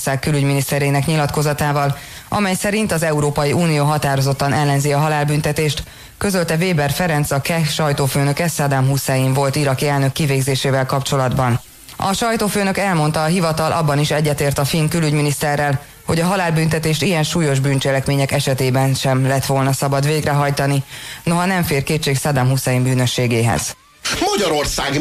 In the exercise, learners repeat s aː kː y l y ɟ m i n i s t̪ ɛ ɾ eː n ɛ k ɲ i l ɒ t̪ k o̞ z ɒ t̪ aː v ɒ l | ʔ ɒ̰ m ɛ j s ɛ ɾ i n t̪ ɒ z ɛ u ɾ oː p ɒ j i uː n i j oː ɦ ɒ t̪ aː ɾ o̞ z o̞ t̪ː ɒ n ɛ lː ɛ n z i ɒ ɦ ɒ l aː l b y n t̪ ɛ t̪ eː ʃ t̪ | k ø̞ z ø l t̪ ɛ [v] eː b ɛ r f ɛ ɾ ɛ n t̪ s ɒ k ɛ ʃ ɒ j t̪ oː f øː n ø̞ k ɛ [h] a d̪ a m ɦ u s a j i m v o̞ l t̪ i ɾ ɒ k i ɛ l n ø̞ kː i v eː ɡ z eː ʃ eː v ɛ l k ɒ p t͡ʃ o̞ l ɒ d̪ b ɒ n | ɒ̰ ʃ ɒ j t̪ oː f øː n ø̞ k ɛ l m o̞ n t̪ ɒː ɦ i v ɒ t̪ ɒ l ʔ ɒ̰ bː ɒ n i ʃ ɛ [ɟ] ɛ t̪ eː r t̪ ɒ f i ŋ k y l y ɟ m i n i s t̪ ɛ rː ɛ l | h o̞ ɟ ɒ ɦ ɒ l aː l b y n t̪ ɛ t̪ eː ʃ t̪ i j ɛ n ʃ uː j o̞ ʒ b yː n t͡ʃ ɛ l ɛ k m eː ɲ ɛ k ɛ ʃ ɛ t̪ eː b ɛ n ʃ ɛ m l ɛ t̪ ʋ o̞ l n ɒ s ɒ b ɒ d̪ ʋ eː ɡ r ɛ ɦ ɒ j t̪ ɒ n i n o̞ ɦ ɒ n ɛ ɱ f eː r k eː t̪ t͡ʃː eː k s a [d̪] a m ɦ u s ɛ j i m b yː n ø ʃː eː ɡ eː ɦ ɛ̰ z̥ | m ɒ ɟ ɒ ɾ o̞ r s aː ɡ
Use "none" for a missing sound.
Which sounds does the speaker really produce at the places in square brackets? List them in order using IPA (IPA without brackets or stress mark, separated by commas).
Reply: v, s, ɟː, d̪